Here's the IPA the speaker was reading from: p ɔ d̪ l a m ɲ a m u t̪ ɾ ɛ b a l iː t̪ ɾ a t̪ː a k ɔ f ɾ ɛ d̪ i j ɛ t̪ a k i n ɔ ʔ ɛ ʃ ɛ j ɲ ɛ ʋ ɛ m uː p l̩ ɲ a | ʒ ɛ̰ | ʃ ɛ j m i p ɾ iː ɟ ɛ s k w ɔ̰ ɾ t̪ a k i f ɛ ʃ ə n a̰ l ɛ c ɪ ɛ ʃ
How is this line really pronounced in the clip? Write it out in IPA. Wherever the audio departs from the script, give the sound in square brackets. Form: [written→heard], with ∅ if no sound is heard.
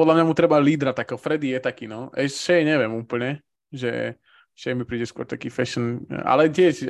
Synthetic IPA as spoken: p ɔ d̪ l a m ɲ a m u t̪ ɾ ɛ b a l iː [t̪→d̪] ɾ a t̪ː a k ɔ f ɾ ɛ d̪ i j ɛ t̪ a k i n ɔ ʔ ɛ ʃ ɛ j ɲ ɛ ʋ ɛ m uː p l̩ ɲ [a→ɛ] | ʒ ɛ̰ | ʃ ɛ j m i p ɾ iː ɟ ɛ s k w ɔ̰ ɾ t̪ a k i f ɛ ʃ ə n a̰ l ɛ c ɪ ɛ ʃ